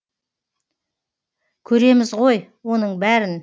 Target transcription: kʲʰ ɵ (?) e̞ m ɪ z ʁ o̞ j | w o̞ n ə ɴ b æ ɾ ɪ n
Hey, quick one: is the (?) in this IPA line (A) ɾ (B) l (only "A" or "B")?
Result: A